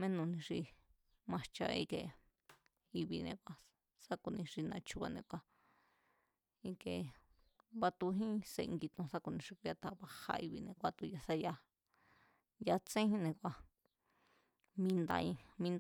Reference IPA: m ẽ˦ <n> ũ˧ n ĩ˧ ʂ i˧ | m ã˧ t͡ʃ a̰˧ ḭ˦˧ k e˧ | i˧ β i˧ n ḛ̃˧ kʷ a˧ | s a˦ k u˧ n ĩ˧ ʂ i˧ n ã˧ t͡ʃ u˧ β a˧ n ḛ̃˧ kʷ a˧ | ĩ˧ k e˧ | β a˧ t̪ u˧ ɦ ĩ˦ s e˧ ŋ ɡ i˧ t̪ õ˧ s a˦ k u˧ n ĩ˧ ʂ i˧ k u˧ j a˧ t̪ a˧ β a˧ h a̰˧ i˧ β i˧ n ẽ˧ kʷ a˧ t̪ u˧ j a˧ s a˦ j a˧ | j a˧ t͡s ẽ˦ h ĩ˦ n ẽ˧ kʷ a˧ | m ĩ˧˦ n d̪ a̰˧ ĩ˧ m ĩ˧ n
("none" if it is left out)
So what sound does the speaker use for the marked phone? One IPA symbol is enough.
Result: n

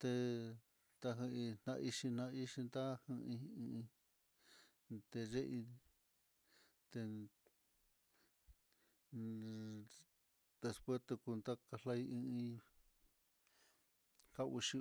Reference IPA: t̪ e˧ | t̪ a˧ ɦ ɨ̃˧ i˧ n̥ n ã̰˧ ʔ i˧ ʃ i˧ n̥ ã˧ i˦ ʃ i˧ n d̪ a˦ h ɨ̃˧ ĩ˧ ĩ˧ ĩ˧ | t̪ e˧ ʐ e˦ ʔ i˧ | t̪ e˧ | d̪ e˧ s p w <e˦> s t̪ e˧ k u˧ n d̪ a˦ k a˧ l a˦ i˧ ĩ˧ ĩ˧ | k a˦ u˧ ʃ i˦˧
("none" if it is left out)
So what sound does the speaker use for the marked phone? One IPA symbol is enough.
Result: e˦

